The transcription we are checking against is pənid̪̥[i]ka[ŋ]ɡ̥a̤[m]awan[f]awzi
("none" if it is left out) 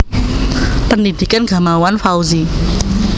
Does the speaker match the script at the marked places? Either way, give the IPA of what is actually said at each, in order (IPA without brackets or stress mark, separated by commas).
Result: i, n, m, f